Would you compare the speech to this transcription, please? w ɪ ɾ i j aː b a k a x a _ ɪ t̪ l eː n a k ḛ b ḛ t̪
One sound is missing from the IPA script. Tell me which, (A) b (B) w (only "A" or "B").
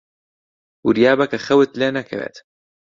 B